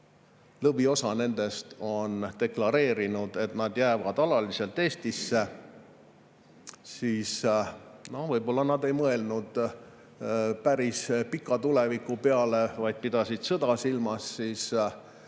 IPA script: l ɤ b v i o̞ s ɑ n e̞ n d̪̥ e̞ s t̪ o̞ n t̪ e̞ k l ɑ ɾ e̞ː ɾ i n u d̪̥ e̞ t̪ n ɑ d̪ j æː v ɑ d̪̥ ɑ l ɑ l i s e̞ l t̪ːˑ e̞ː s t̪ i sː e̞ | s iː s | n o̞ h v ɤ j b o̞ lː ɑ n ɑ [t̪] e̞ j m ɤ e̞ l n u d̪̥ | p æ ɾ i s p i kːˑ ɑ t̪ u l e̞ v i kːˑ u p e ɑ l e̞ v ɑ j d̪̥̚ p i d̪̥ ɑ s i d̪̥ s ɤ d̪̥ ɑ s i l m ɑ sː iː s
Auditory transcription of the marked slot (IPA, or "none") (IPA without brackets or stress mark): d̪